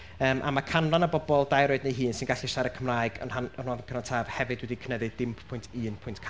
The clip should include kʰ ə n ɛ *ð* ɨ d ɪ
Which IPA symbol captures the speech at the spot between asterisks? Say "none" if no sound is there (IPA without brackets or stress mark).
ð